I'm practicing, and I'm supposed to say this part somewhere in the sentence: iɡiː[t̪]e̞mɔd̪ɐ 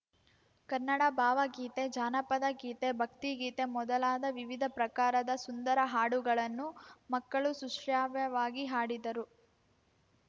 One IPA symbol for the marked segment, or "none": t̪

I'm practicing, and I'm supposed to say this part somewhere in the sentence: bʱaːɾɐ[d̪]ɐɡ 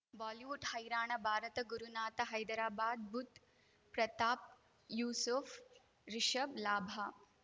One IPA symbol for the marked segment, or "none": t̪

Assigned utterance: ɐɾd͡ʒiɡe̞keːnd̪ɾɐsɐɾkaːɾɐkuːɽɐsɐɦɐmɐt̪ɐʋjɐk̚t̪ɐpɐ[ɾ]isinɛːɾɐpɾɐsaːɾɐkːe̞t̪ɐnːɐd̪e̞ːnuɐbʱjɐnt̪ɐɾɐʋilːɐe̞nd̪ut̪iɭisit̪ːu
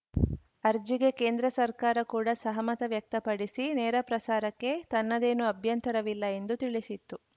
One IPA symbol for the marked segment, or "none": ɽ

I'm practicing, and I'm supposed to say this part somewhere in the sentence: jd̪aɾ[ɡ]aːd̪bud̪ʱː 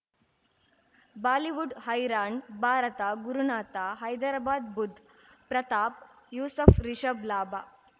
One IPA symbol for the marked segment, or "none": b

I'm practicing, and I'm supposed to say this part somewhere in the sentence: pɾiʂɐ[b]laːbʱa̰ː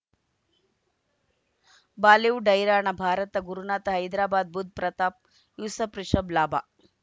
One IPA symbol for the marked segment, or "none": b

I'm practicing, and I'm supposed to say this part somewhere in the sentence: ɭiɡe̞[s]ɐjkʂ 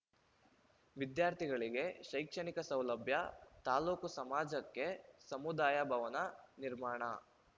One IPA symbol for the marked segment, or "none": ʃ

